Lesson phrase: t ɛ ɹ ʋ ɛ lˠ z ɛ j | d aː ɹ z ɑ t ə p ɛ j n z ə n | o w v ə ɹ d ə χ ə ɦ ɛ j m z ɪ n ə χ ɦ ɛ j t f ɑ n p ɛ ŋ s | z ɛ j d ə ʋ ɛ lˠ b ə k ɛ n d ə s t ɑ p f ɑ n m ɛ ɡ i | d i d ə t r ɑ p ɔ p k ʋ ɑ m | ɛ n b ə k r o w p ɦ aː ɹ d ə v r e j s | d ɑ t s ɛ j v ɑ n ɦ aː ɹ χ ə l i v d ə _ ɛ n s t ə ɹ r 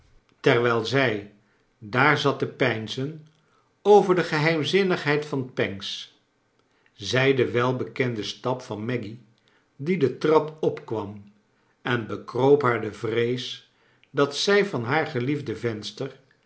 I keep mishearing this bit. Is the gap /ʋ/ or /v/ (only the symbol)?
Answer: v